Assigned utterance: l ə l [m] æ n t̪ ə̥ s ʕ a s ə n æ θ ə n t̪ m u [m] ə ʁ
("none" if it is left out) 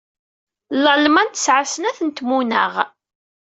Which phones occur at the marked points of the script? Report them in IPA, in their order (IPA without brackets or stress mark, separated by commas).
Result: m, n